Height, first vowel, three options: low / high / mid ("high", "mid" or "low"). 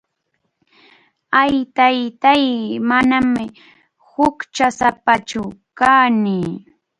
low